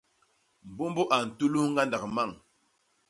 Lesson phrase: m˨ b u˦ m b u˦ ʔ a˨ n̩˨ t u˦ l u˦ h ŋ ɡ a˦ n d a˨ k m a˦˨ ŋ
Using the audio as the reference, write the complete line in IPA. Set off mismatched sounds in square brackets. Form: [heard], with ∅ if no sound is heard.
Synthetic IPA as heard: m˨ b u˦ m b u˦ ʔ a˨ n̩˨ t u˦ l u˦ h ŋ ɡ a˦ n d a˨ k m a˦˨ ŋ

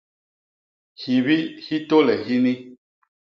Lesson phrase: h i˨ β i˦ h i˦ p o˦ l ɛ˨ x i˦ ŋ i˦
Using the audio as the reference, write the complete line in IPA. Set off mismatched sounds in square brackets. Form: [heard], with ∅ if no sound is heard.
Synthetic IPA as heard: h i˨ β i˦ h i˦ [t] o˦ l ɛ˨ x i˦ [n] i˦

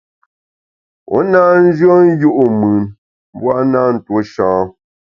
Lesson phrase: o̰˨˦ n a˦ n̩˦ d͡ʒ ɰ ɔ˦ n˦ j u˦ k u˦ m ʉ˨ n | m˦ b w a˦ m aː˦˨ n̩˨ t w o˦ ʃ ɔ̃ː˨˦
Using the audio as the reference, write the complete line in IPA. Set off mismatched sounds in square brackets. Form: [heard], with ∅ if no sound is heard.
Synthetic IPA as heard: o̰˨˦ n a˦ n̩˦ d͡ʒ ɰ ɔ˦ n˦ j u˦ [ʔ] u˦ m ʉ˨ n | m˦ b w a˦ [n] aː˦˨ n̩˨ t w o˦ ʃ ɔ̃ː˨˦

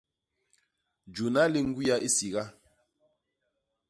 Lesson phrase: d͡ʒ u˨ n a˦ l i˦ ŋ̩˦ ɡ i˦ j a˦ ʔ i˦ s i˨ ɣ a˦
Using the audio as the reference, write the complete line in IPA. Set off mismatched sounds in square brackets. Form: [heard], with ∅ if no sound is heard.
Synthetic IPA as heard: d͡ʒ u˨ n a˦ l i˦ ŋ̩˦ ɡ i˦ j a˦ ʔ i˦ s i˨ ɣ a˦

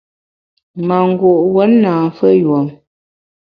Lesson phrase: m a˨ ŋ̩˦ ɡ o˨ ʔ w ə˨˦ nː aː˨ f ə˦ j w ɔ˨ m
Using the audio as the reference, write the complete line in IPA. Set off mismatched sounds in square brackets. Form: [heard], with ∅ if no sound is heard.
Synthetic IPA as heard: m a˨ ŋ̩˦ ɡ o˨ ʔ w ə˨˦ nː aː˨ f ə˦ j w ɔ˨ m

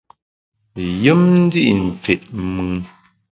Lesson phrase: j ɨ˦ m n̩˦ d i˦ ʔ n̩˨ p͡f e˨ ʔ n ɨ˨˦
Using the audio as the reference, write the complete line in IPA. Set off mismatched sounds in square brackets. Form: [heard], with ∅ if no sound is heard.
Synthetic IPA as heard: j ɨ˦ m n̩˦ d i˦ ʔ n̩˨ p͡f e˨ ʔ [m] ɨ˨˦

